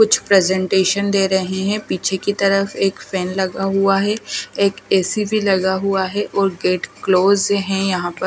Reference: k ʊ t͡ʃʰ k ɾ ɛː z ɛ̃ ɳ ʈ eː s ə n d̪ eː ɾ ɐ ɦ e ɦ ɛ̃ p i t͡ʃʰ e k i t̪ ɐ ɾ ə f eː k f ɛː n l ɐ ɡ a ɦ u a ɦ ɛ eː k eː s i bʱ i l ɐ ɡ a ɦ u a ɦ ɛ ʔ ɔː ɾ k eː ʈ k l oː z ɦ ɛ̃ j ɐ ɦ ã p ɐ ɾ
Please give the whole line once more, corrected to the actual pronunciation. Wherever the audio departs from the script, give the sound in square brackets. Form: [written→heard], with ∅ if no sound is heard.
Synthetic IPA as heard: k ʊ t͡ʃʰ [k→p] ɾ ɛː z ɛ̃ ɳ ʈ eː [s→ʃ] ə n d̪ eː ɾ ɐ ɦ e ɦ ɛ̃ p [i→iː] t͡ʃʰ e k i t̪ ɐ ɾ ə f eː k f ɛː n l ɐ ɡ a ɦ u a ɦ ɛ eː k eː s i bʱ i l ɐ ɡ a ɦ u a ɦ ɛ ʔ ɔː ɾ [k→ɡ] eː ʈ k l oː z ɦ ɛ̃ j ɐ ɦ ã p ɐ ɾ